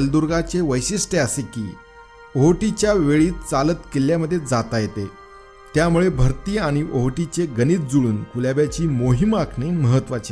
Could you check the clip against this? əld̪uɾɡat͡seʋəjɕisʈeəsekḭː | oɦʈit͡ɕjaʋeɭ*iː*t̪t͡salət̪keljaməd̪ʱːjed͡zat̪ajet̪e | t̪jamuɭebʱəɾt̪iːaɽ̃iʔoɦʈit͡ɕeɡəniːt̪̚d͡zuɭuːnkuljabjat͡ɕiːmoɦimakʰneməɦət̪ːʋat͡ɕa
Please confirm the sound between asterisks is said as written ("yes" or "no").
yes